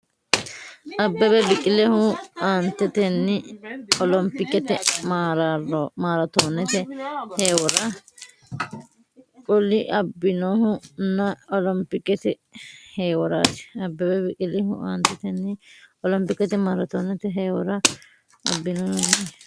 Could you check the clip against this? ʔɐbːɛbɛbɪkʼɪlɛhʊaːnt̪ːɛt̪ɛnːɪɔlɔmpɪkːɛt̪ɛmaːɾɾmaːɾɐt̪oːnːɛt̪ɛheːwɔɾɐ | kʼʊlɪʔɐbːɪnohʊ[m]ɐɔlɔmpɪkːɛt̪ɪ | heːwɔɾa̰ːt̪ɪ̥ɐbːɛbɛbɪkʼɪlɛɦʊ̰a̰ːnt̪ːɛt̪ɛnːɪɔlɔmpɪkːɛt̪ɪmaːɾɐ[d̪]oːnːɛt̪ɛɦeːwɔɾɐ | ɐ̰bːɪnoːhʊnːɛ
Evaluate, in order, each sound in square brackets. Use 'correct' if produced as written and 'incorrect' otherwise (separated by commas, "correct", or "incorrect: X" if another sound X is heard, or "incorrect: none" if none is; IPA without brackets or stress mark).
incorrect: n, incorrect: t̪